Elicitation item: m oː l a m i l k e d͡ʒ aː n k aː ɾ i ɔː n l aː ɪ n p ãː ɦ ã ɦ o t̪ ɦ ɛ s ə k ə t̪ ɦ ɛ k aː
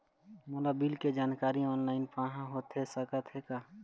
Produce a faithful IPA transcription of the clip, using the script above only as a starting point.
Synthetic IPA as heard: m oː l a b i l k e d͡ʒ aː n k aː ɾ i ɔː n l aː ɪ n p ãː ɦ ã ɦ o t̪ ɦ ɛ s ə k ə t̪ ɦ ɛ k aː

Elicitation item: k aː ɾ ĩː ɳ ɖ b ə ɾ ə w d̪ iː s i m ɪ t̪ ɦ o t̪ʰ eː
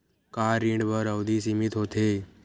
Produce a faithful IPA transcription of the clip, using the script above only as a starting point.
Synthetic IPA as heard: k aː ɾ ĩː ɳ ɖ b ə ɾ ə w d̪ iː s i m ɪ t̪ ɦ o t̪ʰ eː

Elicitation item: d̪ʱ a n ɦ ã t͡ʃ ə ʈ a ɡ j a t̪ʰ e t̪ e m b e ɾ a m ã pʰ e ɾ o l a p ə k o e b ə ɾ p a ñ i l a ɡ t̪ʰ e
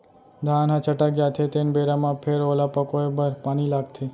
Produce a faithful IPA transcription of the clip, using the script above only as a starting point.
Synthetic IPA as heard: d̪ʱ a n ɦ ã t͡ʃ ə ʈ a ɡ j a t̪ʰ e t̪ e n b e ɾ a m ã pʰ e ɾ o l a p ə k o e b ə ɾ p a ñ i l a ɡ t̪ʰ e

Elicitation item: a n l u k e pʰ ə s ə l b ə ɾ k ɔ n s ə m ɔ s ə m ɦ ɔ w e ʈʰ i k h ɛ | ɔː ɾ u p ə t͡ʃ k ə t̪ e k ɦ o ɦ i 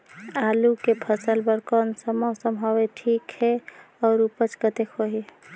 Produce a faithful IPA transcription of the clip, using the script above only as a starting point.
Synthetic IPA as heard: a l u k e pʰ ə s ə l b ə ɾ k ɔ n s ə m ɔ s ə m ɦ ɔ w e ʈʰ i k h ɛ | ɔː ɾ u p ə t͡ʃ k ə t̪ e k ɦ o ɦ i

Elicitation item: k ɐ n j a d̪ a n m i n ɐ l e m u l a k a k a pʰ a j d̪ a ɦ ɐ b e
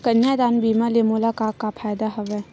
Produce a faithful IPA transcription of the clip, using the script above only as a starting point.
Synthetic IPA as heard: k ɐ n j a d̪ a n b i m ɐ l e m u l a k a k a pʰ a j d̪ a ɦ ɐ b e

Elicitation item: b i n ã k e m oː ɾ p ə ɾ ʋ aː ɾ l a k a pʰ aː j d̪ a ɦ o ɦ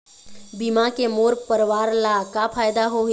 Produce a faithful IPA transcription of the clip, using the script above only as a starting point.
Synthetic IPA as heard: b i m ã k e m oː ɾ p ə ɾ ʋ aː ɾ l a k a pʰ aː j d̪ a ɦ o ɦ

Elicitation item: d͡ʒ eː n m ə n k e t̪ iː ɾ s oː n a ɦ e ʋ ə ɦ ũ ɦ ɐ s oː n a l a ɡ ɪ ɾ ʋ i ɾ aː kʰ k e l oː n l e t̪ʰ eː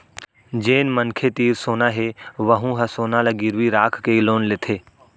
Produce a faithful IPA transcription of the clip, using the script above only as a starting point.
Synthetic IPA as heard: d͡ʒ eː n m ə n kʰ e t̪ iː ɾ s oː n a ɦ e ʋ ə ɦ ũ ɦ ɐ s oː n a l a ɡ ɪ ɾ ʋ i ɾ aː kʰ k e l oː n l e t̪ʰ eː

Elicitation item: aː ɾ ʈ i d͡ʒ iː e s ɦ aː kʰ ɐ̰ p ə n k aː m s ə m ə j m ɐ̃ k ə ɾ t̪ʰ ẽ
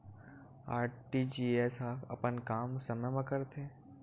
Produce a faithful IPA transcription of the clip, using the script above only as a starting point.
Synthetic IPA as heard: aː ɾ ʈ i d͡ʒ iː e s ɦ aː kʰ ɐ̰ p ə n k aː m s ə m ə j m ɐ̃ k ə ɾ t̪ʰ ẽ

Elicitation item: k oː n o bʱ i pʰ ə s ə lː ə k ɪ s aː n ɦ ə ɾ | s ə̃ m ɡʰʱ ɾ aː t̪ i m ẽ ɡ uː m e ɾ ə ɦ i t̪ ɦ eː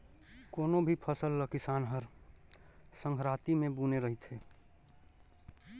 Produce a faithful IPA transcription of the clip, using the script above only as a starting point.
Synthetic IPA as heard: k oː n o bʱ i pʰ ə s ə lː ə k ɪ s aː n ɦ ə ɾ | s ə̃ ŋ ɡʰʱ ɾ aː t̪ i m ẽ b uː n e ɾ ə ɦ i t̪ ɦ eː

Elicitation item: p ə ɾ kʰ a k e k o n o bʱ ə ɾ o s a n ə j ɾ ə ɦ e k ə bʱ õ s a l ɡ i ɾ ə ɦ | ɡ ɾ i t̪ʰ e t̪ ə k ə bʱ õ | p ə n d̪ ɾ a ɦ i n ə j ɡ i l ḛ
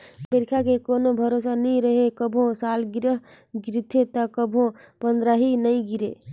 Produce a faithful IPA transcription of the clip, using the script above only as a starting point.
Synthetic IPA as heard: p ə ɾ kʰ a k e k o n o bʱ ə ɾ o s a n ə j ɾ ə ɦ e k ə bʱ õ s a l ɡ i ɾ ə ɦ | ɡ ɾ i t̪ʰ e t̪ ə k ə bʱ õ | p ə n d̪ ɾ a ɦ i n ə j ɡ i ɾ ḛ

